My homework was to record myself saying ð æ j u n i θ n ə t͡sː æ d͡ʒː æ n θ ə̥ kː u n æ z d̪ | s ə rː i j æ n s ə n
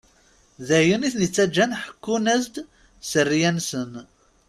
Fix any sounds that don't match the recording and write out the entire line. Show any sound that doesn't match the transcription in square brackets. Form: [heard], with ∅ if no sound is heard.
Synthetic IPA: ð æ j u n i θ n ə t͡sː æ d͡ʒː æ n [ħ] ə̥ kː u n æ z d̪ | s ə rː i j æ n s ə n